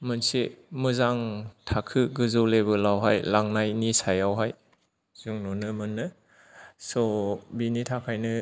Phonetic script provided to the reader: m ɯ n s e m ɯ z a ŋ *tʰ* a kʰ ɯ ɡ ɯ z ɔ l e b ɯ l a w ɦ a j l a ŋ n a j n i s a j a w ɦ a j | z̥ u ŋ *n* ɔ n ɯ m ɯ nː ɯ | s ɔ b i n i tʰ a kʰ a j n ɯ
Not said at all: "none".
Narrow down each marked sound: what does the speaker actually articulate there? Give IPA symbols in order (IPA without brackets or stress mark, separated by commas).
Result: tʰ, n